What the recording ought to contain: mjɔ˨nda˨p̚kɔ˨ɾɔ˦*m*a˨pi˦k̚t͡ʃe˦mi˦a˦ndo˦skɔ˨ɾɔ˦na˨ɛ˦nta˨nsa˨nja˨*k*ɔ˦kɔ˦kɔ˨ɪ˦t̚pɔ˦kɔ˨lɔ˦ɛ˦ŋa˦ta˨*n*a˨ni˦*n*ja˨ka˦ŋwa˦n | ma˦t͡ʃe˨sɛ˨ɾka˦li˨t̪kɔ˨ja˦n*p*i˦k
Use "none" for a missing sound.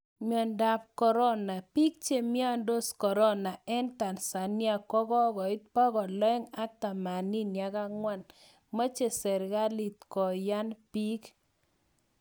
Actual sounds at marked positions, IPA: n, k, m, n, p

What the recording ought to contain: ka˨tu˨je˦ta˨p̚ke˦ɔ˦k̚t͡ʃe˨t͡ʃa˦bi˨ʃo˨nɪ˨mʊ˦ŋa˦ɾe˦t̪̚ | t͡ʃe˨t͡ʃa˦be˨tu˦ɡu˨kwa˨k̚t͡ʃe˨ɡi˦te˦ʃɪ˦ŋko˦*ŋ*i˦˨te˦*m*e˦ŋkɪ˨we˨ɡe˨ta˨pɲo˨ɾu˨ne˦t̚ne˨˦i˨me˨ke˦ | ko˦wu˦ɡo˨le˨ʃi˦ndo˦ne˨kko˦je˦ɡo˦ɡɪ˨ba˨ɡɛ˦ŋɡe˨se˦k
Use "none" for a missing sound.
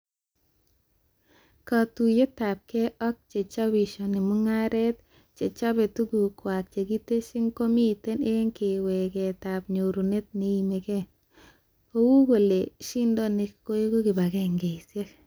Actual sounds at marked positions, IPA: m, n

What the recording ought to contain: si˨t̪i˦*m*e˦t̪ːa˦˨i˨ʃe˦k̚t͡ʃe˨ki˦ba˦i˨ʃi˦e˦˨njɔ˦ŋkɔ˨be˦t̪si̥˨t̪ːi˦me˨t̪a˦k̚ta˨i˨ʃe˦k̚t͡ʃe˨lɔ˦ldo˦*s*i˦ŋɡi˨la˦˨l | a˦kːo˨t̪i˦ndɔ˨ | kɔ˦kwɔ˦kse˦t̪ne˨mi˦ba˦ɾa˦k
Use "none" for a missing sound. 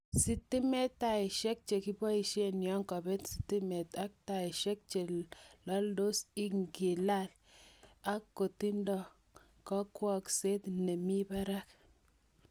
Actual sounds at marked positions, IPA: m, s

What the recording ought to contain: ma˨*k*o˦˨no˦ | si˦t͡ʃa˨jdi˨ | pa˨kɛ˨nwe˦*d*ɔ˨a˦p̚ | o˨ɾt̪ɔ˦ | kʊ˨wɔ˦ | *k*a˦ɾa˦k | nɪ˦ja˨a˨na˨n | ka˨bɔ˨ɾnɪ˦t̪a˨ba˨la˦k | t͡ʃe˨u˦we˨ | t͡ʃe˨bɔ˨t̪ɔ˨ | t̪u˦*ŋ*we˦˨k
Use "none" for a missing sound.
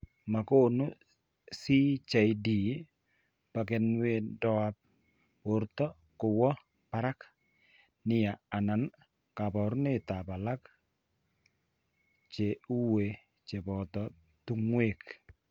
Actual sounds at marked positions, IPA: k, d, p, ŋ

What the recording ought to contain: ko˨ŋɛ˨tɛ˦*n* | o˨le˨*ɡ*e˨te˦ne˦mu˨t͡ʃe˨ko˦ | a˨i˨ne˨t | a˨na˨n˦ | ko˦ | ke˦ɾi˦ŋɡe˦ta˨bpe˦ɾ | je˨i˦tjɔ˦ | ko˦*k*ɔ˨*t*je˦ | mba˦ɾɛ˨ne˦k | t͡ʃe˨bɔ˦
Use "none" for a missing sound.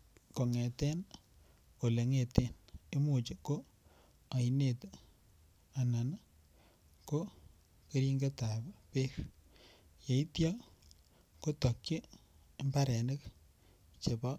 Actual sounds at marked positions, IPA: n, ŋ, t, k

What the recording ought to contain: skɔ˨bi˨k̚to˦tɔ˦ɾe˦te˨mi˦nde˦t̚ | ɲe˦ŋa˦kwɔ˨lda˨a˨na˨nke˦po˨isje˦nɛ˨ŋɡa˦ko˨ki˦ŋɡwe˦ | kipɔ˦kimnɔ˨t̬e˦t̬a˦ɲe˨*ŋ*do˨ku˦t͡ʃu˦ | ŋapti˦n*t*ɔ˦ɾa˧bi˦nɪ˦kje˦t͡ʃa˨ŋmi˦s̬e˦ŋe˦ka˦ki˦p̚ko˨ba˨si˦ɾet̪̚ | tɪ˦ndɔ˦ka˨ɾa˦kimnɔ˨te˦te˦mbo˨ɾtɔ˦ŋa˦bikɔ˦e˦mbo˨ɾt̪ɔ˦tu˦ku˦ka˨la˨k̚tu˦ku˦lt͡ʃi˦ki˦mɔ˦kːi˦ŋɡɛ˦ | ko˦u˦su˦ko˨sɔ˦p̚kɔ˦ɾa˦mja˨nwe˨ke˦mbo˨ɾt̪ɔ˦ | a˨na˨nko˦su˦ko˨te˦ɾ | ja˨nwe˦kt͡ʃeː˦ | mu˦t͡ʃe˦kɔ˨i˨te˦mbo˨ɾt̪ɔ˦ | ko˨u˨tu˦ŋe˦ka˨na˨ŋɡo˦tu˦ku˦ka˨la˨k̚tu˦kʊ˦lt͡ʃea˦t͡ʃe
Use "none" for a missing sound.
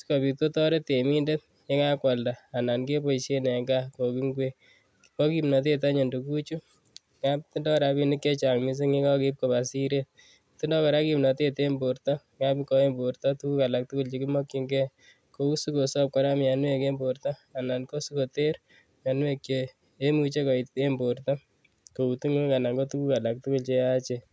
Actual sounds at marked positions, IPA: n, d

